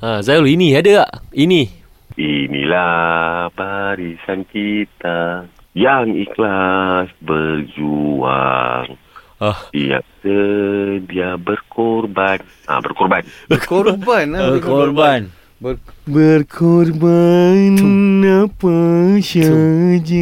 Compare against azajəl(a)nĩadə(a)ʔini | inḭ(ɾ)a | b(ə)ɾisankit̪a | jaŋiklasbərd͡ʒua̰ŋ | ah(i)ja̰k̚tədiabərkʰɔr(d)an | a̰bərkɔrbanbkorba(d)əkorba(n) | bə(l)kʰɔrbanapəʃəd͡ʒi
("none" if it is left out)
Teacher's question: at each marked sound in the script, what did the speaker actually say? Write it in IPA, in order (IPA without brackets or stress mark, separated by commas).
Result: i, a, l, a, i, b, n, n, r